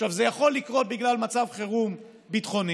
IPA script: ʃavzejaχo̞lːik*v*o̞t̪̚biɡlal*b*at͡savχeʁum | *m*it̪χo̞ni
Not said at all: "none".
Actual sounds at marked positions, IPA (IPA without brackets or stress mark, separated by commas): ʁ, m, b